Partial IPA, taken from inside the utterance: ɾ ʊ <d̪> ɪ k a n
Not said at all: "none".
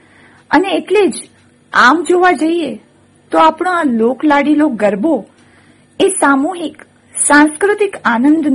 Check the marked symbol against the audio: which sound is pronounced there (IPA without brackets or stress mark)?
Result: t̪